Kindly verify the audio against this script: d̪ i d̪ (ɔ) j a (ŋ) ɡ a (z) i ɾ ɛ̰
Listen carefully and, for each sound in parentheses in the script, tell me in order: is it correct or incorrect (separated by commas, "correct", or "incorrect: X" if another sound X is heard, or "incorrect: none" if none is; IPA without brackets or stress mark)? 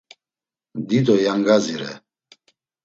correct, correct, correct